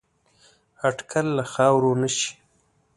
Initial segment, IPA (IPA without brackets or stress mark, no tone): a